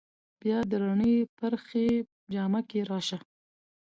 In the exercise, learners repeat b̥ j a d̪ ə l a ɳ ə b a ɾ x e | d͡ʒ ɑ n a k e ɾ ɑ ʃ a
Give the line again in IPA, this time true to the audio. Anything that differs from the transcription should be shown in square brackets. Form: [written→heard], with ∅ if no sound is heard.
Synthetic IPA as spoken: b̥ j [a→ɑ] d̪ ə [l→ɾ] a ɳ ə [b→p] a ɾ x e | d͡ʒ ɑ [n→m] a k e ɾ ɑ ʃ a